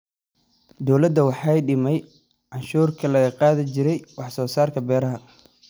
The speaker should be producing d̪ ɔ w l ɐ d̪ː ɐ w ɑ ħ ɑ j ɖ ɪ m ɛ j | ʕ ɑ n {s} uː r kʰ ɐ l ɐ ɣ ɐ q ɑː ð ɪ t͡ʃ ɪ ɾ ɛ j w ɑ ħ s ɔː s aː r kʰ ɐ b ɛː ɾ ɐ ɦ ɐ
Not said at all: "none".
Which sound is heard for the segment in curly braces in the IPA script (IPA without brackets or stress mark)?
ʃ